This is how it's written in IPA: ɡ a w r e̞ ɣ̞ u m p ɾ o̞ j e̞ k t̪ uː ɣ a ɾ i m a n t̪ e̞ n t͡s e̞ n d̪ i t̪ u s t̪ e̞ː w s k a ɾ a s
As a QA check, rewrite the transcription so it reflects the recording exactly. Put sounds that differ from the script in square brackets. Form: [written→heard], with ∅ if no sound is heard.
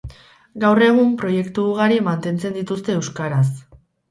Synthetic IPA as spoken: ɡ a w r e̞ ɣ̞ u m p ɾ o̞ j e̞ k t̪ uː ɣ a ɾ i m a n t̪ e̞ n t͡s e̞ n d̪ i t̪ u s t̪ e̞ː w s k a ɾ a s